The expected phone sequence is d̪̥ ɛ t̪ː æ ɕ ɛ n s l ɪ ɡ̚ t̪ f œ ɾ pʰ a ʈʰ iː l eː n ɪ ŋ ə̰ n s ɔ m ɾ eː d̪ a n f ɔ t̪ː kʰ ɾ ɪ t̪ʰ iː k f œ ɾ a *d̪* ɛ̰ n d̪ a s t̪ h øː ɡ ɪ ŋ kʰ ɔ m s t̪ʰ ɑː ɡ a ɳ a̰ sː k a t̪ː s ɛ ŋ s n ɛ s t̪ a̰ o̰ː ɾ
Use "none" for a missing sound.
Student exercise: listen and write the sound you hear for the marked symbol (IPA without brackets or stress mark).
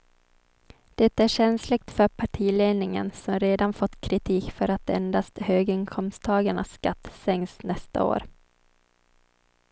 t̪